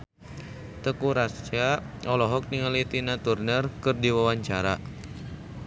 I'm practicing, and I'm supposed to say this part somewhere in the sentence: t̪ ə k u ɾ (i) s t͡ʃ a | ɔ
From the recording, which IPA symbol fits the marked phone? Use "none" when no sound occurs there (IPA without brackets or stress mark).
a